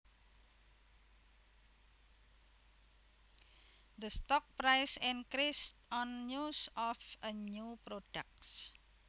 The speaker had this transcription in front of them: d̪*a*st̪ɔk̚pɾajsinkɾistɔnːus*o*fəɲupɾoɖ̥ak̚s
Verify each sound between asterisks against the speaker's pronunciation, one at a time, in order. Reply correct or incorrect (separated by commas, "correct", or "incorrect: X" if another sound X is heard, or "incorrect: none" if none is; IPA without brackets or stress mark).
incorrect: ə, incorrect: ɔ